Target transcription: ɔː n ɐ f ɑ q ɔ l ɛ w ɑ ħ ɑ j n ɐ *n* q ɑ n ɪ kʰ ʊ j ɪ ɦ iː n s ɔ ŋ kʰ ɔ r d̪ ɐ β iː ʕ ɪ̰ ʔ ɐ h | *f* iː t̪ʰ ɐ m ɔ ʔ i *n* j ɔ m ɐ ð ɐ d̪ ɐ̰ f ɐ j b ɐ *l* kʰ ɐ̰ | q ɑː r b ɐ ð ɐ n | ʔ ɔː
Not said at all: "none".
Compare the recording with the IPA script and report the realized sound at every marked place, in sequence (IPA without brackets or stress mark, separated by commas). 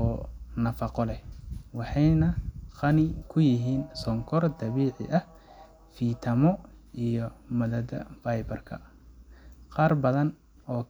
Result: none, f, none, r